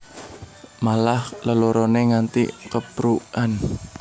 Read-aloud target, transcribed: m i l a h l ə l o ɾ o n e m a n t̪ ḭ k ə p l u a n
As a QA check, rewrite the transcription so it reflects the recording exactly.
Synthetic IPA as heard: m a l a h l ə l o ɾ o n e ŋ a n t̪ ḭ k ə p ɾ u a n

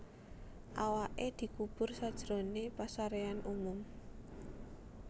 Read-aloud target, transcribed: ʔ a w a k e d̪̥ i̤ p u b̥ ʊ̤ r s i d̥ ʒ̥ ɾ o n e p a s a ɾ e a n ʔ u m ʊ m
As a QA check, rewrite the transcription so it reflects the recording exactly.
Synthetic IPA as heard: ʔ a w a ʔ e d̪̥ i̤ k u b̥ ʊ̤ r s a d̥ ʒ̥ ɾ o n e p a s a ɾ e a n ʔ u m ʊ m

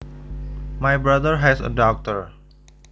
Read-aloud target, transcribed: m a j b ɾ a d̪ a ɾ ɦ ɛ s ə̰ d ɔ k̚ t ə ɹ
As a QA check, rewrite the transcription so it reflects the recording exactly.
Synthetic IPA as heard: m a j b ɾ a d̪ ə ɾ ɦ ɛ s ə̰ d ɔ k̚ t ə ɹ

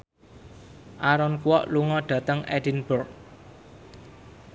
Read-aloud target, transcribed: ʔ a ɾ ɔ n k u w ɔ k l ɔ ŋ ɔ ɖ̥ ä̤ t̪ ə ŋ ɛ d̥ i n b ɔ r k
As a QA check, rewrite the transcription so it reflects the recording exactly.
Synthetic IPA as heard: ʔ a ɾ ɔ n k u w ɔ ʔ l u ŋ ɔ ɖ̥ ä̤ t̪ ə ŋ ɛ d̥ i n b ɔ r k

